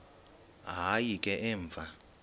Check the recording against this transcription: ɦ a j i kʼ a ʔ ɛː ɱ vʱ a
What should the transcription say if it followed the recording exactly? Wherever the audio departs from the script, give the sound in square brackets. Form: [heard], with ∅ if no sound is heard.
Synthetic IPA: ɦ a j i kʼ [ɛ] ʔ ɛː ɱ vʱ a

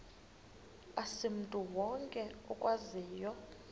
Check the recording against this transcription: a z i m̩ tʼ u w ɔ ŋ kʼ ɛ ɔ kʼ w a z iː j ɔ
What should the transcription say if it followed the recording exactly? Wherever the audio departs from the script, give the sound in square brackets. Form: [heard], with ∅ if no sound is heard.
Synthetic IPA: a [s] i m̩ tʼ u w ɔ ŋ kʼ ɛ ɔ kʼ w a z iː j ɔ

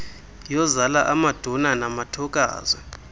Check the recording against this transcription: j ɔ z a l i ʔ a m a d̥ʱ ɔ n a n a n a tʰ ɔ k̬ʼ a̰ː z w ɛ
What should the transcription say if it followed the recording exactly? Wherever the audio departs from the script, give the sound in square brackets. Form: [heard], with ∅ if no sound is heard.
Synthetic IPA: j ɔ z a l [a] ʔ a m a d̥ʱ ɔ n a n a [m] a tʰ ɔ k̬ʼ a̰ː z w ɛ

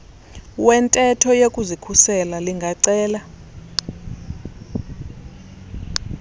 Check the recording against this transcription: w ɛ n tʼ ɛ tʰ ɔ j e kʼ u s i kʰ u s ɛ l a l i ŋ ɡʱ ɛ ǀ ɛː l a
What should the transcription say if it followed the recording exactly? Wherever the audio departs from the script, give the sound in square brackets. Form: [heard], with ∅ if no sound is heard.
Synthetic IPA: w ɛ n tʼ ɛ tʰ ɔ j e kʼ u [z] i kʰ u s ɛ l a l i ŋ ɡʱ [a] ǀ ɛː l a

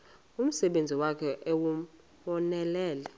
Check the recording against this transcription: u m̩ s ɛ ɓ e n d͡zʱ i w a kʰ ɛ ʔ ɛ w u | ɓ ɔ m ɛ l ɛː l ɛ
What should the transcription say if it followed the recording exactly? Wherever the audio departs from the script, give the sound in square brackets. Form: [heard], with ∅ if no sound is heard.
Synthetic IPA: u m̩ s ɛ ɓ e n d͡zʱ i w a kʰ ɛ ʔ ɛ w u | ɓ ɔ [n] ɛ l ɛː l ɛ

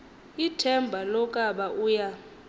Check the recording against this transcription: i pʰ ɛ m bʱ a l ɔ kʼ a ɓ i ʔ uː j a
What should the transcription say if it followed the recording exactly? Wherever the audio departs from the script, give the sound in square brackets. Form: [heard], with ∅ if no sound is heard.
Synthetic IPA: i [tʰ] ɛ m bʱ a l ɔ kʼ a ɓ [a] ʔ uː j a

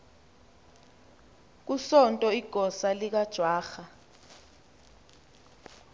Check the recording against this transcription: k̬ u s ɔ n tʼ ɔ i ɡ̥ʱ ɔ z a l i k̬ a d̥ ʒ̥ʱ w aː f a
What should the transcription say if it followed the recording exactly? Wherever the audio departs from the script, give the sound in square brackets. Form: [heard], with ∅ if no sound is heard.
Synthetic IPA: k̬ u s ɔ n tʼ ɔ i ɡ̥ʱ ɔ [s] a l i k̬ a d̥ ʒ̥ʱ w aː [x] a

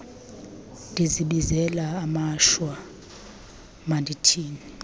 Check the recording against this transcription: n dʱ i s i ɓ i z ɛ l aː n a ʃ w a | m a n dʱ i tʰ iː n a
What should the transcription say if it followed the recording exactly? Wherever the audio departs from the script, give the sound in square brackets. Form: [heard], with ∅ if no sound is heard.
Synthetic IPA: n dʱ i [z] i ɓ i z ɛ l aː [m] a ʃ w a | m a n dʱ i tʰ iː n [i]

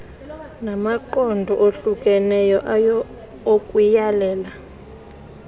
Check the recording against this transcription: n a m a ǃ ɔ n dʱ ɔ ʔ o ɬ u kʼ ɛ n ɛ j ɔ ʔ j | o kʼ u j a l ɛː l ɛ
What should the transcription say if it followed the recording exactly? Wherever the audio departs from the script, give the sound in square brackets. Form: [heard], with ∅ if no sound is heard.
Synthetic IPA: n a m a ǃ ɔ n dʱ ɔ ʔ o ɬ u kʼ ɛ n ɛ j ɔ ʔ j | o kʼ u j a l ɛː l [a]

